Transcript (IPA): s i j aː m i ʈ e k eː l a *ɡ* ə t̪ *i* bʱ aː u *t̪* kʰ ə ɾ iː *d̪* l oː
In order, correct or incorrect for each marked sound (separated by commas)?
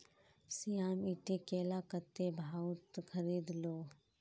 incorrect, incorrect, correct, correct